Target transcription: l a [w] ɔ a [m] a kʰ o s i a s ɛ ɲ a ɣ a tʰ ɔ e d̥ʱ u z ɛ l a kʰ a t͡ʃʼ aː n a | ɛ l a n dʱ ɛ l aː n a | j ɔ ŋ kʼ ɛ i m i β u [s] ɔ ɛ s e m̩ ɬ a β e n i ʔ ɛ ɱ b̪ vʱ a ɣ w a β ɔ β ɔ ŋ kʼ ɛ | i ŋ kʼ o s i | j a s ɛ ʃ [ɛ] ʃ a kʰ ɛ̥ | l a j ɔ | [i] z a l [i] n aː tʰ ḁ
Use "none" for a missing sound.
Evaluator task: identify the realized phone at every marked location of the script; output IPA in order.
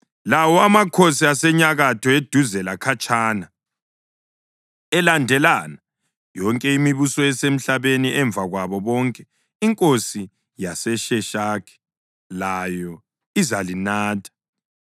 w, m, s, ɛ, i, i

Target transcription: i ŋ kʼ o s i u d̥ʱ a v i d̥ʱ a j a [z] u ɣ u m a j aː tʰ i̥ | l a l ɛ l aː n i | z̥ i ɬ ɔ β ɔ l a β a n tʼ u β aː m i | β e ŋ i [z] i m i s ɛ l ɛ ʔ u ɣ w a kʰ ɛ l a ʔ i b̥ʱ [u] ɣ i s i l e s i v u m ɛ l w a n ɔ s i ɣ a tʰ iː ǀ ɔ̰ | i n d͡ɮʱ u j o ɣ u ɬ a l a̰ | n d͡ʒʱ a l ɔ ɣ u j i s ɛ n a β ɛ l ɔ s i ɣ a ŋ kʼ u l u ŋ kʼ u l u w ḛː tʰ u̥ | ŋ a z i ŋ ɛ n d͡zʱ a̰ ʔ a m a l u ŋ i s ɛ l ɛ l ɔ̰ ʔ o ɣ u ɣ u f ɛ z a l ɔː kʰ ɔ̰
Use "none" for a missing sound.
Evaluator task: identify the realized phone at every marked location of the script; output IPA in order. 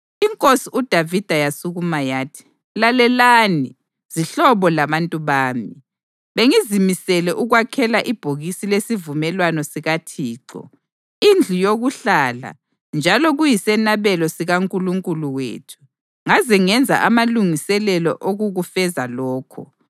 s, z, o

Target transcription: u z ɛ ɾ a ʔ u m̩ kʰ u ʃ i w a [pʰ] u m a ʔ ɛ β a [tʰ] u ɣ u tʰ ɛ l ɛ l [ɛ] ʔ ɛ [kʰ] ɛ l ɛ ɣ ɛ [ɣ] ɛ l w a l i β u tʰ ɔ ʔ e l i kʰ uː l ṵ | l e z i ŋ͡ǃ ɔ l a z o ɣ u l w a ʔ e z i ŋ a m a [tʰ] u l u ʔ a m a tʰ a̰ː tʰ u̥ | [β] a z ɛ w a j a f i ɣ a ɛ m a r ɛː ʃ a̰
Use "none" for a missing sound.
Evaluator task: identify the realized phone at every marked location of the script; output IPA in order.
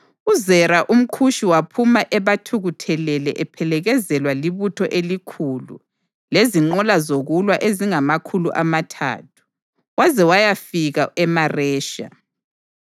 pʰ, tʰ, ɛ, pʰ, z, kʰ, w

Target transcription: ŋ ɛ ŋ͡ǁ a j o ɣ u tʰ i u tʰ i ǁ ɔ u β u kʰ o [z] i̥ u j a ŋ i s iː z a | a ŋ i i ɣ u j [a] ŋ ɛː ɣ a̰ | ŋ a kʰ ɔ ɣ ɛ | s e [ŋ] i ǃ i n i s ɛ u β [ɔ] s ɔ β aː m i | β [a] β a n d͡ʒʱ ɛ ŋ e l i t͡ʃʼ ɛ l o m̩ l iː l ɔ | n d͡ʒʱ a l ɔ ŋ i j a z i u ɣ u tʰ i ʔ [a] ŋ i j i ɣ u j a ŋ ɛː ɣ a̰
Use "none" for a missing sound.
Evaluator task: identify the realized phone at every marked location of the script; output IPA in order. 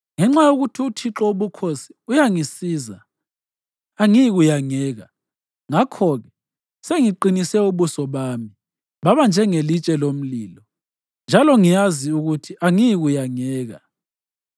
s, a, ŋ, u, a, a

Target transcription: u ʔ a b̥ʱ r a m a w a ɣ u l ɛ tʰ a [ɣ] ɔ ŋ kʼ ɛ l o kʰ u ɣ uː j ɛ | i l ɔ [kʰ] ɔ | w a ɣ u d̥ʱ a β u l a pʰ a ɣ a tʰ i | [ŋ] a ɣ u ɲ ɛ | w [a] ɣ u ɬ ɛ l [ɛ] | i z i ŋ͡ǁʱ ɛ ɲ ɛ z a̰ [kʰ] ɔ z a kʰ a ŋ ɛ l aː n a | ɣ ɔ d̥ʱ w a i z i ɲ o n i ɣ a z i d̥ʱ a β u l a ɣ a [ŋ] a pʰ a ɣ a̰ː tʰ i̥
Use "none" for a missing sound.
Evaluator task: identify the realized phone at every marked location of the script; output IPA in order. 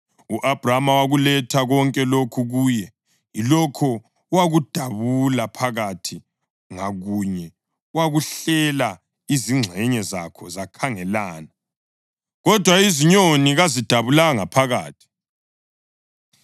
ɣ, kʰ, ŋ, a, a, kʰ, ŋ

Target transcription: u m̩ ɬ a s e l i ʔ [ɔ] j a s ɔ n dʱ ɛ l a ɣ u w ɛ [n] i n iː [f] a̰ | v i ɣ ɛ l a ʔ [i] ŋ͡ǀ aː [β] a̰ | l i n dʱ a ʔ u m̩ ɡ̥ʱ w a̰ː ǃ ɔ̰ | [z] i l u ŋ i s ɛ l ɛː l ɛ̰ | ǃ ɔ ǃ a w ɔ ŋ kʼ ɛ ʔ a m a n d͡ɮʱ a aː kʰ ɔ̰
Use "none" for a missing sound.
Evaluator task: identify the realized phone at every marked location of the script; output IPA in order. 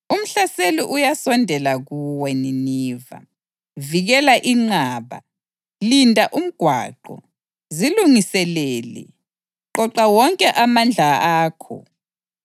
u, n, v, i, β, z

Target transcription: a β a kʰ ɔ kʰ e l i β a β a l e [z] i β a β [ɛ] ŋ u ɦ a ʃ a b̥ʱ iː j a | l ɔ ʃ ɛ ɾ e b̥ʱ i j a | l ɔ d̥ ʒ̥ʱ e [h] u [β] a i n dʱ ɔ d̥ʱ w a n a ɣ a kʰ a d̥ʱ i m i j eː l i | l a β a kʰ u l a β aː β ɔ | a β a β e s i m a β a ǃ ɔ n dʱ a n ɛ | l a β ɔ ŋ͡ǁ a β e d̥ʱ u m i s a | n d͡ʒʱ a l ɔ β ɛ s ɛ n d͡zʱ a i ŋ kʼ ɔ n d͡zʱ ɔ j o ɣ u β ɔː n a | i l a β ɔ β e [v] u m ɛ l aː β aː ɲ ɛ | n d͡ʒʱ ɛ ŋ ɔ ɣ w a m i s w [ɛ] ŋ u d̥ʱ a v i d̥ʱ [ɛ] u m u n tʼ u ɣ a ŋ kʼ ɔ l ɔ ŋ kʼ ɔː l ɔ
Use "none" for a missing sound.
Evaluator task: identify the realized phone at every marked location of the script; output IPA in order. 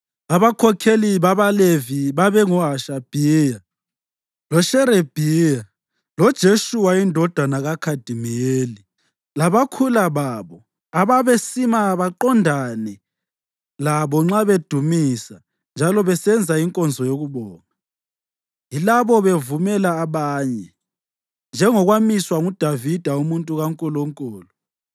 v, ɛ, ʃ, w, v, a, a

